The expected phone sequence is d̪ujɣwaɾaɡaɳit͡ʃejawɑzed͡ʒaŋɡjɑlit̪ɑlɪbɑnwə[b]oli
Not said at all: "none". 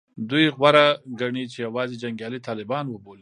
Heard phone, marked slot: b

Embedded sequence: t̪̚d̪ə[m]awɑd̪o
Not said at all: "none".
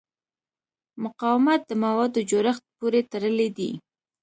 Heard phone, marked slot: m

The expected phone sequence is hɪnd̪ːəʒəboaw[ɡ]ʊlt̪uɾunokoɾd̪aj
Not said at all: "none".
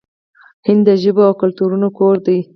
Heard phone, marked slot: k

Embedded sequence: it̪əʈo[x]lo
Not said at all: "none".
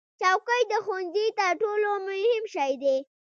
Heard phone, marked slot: none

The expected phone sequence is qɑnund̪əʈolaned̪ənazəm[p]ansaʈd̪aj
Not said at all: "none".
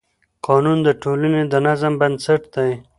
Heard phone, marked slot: b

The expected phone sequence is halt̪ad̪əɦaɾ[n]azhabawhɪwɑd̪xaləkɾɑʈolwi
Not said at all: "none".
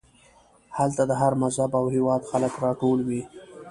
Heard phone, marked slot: m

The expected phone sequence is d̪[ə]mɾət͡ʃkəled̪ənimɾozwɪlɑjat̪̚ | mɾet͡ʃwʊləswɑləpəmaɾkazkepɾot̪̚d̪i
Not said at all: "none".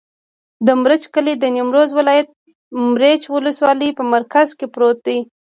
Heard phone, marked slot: ə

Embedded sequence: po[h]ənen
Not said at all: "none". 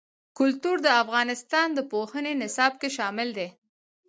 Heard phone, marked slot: h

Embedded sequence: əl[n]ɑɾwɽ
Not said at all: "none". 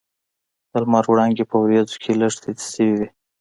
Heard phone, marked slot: m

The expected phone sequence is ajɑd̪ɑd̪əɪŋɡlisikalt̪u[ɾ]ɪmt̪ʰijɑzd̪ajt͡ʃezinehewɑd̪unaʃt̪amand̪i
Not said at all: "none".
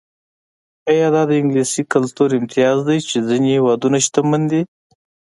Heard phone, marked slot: ɾ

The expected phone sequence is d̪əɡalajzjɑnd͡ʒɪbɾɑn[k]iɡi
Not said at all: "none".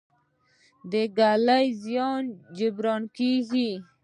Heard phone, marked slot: k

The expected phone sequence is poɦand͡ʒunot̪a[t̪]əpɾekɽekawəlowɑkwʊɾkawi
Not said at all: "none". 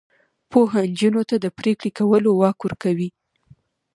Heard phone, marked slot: d̪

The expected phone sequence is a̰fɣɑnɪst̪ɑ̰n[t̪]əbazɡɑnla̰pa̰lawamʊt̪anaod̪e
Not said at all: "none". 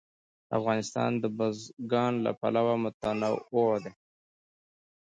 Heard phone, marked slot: d̪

